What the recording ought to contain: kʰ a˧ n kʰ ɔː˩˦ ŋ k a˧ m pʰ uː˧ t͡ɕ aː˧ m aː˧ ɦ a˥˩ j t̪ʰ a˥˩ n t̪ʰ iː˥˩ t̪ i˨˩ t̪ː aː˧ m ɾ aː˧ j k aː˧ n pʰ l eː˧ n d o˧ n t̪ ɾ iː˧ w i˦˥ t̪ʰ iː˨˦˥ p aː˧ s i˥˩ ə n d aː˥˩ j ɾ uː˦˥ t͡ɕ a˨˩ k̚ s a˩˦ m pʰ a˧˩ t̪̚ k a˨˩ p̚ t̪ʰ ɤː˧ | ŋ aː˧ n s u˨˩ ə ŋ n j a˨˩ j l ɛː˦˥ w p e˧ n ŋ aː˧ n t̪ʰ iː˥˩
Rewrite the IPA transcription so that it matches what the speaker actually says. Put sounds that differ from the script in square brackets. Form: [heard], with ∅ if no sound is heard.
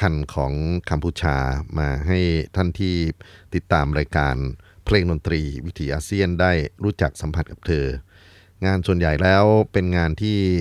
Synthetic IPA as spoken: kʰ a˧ n kʰ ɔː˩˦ ŋ k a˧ m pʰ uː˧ [t͡ɕʰ] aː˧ m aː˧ ɦ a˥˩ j t̪ʰ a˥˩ n t̪ʰ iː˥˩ t̪ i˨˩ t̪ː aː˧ m ɾ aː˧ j k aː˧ n pʰ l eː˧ [ŋ] d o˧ n t̪ ɾ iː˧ w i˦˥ t̪ʰ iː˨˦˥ [ʔ] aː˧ s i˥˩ ə n d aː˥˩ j ɾ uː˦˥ t͡ɕ a˨˩ k̚ s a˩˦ m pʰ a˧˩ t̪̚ k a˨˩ p̚ t̪ʰ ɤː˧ | ŋ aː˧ n s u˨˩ ə [∅] n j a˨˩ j l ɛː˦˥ w p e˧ n ŋ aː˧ n t̪ʰ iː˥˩